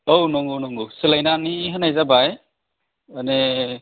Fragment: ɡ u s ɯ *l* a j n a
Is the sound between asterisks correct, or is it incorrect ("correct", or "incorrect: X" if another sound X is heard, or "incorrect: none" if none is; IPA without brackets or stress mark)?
correct